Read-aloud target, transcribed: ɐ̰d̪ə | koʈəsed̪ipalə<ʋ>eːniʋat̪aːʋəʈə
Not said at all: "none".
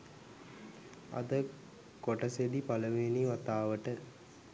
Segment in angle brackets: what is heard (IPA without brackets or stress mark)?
ʋ